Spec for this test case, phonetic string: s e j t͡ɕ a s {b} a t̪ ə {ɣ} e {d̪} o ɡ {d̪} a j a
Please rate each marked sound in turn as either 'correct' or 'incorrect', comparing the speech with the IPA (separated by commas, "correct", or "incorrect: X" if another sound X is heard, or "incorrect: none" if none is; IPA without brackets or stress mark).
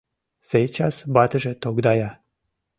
correct, incorrect: ʒ, incorrect: t̪, correct